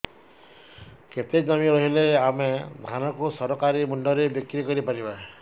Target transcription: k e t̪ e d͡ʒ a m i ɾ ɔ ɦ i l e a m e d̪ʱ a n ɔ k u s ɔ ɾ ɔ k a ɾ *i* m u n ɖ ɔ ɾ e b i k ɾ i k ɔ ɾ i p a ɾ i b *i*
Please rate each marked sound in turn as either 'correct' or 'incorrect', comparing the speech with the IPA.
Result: correct, incorrect: a

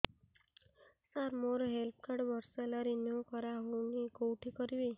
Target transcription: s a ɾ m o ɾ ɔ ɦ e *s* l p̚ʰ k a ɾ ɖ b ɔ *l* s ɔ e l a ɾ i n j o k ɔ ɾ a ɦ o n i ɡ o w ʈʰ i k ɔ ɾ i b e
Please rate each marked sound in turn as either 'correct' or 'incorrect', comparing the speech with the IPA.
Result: incorrect: none, incorrect: ɾ

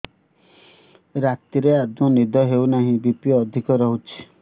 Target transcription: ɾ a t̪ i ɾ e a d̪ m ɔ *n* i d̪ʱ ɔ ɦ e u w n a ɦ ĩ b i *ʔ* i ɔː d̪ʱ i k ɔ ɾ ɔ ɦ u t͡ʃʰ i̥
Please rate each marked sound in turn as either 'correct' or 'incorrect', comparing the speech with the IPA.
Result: correct, incorrect: p

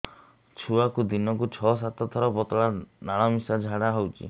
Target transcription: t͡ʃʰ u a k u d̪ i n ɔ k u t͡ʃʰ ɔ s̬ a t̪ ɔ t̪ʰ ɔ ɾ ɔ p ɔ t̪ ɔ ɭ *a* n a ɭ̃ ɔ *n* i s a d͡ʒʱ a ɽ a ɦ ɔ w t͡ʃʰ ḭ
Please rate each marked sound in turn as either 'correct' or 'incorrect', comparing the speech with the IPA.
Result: correct, incorrect: m

